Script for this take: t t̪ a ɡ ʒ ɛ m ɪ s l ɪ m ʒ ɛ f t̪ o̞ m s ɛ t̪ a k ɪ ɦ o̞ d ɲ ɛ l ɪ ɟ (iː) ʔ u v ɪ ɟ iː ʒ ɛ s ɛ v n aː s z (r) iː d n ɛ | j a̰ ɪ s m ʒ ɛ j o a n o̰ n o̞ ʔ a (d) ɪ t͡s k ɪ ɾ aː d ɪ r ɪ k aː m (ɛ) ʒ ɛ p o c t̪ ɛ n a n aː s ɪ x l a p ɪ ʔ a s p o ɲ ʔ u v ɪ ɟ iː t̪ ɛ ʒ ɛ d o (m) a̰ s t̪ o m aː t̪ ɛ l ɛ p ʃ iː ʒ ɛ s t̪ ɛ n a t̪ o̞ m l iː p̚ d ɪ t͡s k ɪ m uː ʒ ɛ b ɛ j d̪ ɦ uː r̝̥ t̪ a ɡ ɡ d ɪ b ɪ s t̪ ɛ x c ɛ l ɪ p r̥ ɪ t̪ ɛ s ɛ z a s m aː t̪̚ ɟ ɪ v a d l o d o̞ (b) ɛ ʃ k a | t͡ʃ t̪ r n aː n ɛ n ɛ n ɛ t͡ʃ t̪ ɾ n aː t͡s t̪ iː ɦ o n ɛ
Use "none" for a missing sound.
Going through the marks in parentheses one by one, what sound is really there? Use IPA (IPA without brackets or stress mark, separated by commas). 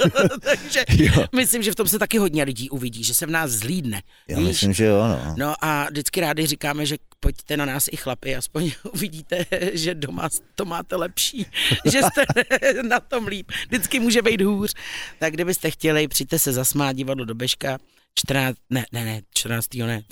iː, l, d, ɛ, m, b